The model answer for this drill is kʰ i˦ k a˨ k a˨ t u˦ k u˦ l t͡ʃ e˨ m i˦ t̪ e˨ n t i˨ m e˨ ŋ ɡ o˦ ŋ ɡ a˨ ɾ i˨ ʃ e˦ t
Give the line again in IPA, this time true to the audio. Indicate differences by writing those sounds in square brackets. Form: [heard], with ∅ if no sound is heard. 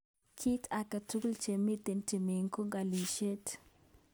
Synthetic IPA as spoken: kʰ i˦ [t] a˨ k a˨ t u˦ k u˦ l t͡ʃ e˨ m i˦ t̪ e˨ n t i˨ m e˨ ŋ [k] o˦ ŋ ɡ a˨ [l] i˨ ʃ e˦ t

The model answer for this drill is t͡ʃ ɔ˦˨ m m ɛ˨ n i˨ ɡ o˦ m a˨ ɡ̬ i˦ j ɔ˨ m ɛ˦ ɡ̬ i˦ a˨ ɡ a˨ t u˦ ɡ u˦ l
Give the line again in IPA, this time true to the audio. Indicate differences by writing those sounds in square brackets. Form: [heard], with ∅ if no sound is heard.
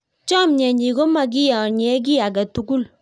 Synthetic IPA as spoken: t͡ʃ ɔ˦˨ m [ɲ] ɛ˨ [ɲ] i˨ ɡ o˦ m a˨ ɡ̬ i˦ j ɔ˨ [ɲ] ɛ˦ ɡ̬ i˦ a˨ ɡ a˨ t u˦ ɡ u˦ l

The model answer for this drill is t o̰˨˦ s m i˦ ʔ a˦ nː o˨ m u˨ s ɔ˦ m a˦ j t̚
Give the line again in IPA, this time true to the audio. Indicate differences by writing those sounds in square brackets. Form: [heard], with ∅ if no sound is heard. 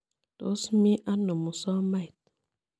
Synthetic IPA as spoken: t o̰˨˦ s m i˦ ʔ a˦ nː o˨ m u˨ s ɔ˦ m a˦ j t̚

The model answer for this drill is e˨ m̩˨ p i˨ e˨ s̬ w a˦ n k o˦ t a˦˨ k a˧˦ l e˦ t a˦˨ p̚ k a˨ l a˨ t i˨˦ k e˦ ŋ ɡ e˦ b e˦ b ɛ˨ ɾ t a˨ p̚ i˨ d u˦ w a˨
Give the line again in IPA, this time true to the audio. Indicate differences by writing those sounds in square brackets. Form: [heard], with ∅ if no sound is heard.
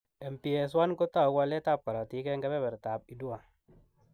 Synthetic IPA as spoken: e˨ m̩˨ p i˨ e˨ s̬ w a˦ n k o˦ t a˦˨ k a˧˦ l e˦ t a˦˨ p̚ k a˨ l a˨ t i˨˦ k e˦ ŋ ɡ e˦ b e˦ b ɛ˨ ɾ t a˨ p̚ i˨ d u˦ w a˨

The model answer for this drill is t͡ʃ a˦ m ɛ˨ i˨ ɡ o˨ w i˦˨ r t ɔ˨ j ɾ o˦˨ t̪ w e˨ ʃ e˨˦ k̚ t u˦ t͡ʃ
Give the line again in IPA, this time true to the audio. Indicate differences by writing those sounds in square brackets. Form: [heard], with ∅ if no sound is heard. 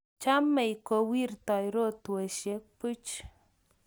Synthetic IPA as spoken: t͡ʃ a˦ m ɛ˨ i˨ [k] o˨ w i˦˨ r t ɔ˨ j ɾ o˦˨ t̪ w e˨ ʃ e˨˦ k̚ [p] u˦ t͡ʃ

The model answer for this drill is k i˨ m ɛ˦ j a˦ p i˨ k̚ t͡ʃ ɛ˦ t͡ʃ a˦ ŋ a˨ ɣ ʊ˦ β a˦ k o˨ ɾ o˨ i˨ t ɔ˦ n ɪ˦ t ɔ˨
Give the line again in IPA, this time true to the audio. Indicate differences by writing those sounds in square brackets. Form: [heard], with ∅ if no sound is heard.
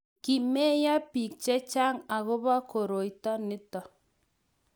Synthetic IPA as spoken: k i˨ m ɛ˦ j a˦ p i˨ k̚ t͡ʃ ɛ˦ t͡ʃ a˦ ŋ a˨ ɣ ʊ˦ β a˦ k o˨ ɾ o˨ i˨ t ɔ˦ n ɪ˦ t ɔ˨

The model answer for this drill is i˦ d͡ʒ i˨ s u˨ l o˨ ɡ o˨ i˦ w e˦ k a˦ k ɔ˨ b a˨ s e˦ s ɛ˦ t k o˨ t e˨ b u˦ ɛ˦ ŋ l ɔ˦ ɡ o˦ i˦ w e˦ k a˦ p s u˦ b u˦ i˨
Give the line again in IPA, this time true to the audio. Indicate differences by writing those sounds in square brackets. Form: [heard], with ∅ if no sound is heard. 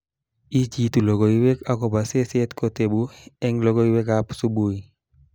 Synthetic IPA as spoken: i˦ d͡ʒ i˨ [t] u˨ l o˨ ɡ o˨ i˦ w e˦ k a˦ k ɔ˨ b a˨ s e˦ s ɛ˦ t k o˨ t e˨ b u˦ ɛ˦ ŋ l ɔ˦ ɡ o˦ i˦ w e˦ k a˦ p s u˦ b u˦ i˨

